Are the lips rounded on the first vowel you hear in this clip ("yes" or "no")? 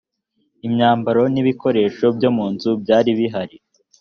no